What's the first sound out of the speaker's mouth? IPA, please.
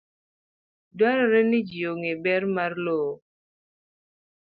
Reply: d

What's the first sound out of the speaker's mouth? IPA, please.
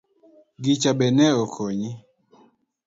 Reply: ɡ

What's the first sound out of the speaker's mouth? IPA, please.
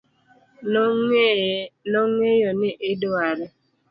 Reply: n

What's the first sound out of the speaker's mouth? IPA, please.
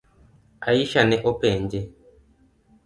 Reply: a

